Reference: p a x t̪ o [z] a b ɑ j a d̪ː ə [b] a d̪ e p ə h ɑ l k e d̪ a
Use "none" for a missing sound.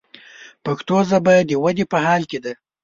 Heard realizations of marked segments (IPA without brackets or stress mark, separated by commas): z, w